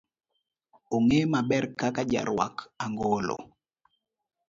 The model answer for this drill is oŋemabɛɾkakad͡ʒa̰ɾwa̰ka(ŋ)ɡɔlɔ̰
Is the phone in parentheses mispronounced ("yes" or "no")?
no